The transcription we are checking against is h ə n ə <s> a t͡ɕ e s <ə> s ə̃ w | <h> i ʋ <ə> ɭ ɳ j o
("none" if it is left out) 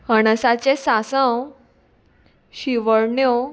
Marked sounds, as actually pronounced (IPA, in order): s, a, ɕ, ə

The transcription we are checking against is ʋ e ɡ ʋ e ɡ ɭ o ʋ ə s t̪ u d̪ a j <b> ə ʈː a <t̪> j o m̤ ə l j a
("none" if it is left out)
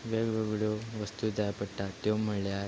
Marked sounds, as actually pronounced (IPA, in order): p, t̪

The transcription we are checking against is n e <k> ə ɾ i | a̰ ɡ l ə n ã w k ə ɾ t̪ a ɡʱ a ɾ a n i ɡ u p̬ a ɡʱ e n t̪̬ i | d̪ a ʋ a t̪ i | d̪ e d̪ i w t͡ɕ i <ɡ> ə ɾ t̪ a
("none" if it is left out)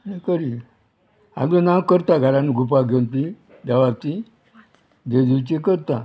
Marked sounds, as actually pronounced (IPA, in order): k, k

